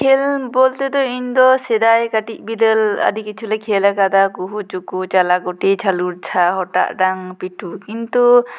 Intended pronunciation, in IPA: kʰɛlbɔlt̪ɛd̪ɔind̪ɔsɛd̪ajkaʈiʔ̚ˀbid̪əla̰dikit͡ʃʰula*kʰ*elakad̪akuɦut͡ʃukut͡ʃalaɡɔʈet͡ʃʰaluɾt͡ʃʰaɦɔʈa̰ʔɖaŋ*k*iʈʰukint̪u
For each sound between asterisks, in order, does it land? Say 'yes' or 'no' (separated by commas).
yes, no